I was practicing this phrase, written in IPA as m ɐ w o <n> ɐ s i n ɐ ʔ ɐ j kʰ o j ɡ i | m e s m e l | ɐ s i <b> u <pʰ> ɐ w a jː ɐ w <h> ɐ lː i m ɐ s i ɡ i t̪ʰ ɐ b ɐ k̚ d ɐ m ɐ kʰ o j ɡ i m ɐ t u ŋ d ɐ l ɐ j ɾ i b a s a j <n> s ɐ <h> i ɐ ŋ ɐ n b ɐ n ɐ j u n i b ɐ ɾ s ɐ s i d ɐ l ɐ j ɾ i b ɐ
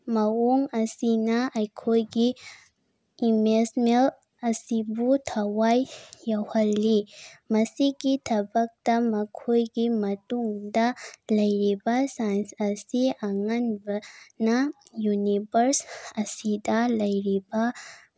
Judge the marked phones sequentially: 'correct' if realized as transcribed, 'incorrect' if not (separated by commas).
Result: incorrect, correct, incorrect, correct, correct, incorrect